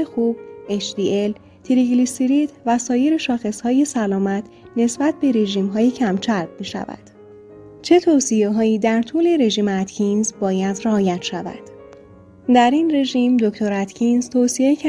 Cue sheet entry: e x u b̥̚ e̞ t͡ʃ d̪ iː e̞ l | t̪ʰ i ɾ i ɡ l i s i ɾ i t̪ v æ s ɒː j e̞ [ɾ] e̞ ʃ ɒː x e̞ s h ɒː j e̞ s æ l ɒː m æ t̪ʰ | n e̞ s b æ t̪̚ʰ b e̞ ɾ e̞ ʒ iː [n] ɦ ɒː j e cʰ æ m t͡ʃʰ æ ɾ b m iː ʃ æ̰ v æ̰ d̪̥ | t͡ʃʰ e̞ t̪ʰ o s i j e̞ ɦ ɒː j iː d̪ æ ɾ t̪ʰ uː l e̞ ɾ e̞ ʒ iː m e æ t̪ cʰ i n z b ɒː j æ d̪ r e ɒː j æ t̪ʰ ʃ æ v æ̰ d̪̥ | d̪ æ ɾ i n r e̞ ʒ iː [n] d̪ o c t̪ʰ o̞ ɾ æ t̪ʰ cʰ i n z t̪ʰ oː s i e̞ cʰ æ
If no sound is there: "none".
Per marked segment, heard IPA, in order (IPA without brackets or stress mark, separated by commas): ɾ, m, m